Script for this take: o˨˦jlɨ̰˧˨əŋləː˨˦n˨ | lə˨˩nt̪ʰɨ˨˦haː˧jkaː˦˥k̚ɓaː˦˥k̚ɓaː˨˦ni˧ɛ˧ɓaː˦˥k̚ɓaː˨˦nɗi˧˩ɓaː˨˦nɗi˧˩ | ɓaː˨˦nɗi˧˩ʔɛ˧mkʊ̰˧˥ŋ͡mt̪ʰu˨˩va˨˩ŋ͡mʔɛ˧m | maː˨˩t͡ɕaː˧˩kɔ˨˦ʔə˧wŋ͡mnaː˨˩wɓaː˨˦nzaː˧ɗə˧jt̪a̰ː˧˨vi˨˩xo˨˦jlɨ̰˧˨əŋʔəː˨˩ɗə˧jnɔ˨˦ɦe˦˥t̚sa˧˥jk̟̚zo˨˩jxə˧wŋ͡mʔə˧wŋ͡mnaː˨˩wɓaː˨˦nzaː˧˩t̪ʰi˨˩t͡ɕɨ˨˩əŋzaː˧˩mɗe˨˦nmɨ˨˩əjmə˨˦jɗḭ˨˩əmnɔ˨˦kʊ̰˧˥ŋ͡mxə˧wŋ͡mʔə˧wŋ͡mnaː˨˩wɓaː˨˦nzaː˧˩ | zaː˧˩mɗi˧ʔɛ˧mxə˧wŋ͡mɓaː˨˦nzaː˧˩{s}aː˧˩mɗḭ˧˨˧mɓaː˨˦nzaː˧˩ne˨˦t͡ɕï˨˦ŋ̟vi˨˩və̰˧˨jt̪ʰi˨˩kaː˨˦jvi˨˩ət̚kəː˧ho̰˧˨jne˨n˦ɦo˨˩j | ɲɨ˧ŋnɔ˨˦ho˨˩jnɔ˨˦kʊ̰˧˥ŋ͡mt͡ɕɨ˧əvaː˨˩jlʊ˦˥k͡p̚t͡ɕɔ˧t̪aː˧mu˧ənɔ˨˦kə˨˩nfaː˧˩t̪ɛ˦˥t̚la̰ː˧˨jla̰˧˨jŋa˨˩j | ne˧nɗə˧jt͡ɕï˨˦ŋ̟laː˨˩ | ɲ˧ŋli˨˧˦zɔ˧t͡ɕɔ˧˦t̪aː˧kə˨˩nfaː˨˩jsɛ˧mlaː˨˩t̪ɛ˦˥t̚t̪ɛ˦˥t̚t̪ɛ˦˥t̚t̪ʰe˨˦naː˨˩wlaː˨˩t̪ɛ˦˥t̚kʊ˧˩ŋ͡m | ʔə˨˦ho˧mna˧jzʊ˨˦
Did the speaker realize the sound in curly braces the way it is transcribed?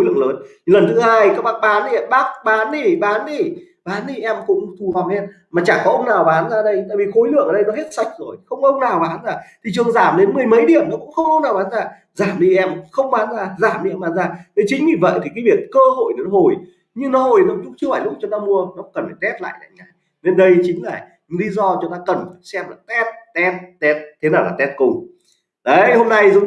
no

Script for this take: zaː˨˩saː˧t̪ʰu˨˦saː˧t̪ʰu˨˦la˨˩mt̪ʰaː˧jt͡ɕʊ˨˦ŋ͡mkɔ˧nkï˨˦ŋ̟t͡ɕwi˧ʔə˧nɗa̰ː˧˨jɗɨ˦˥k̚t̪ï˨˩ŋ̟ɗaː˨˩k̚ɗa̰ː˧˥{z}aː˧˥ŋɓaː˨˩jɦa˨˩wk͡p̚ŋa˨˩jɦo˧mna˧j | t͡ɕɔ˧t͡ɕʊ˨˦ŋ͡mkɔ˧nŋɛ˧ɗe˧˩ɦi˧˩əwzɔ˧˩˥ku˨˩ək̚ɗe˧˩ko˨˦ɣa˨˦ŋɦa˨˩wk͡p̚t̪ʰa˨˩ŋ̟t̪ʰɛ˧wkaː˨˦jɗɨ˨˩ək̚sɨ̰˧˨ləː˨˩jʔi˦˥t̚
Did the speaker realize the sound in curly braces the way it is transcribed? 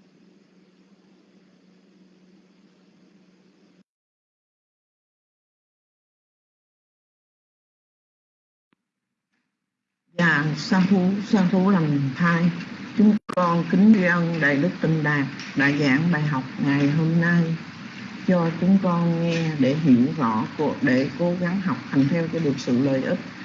yes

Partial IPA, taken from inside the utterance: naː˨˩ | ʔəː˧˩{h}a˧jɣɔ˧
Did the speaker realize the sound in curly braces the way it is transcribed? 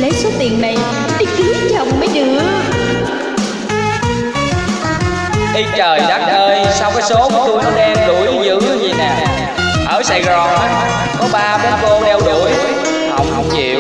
no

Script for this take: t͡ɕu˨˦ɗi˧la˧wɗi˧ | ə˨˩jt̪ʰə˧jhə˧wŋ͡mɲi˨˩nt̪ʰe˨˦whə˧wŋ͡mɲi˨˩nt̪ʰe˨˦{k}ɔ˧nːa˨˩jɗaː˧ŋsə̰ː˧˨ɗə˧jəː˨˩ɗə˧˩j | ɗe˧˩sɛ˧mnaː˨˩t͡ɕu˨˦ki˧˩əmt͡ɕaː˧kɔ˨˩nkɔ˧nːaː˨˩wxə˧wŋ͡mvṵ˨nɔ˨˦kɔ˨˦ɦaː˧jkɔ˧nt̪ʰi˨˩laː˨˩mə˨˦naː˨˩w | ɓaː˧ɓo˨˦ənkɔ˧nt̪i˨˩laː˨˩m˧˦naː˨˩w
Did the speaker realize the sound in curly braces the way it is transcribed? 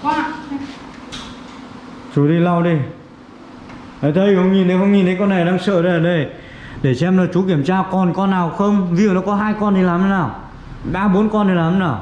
yes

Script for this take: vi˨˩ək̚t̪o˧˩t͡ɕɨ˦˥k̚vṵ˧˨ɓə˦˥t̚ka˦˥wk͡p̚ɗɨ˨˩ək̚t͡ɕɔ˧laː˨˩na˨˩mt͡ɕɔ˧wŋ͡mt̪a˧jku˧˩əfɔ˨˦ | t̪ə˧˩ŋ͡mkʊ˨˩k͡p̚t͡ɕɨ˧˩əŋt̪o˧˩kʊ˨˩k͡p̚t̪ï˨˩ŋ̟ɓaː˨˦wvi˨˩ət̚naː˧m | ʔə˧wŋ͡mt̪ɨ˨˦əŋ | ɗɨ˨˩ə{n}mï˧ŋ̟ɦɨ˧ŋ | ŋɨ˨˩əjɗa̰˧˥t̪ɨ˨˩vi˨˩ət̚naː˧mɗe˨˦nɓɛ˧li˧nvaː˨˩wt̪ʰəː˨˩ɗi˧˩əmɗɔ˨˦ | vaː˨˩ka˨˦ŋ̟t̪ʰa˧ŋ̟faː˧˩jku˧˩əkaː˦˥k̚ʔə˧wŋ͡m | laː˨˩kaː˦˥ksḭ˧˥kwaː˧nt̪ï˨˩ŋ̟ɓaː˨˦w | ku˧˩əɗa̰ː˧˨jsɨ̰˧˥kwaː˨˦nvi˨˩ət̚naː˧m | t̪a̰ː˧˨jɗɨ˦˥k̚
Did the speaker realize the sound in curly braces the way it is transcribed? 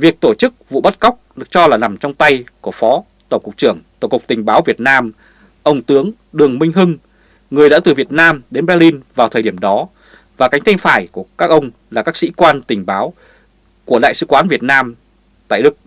no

